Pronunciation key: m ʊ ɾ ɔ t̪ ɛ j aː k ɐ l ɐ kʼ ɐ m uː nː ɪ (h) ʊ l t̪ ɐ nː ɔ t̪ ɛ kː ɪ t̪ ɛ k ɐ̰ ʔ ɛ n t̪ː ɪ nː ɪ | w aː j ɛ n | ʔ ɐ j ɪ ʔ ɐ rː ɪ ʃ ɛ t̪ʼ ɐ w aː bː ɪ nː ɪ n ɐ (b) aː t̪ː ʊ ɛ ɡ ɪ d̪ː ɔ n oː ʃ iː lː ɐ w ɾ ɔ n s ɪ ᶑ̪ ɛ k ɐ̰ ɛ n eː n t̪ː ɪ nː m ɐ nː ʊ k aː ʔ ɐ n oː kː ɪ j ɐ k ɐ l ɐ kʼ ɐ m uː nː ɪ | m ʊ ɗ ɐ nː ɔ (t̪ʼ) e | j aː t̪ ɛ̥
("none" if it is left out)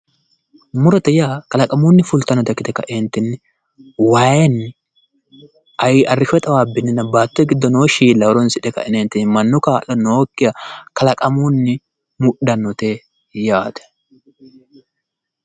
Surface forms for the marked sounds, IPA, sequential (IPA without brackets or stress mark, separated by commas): f, b, t̪